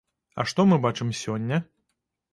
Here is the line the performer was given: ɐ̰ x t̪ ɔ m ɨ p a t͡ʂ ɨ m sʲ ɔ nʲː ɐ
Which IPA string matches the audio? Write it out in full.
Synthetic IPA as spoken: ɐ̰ ʂ t̪ ɔ m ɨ b a t͡ʂ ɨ m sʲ ɔ nʲː ɐ